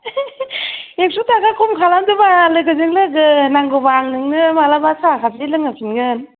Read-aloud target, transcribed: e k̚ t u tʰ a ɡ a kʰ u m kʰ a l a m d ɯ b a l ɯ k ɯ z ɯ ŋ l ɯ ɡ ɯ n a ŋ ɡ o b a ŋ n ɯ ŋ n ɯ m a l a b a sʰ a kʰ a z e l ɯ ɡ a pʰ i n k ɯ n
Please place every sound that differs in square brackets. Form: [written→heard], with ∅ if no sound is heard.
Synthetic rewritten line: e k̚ [t→s] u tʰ a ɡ a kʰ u m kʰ a l a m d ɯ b a l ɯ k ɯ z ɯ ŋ l ɯ ɡ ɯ n a ŋ ɡ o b a ŋ n ɯ ŋ n ɯ m a l a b a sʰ a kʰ a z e l ɯ [ɡ→ŋ] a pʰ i n [k→ɡ] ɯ n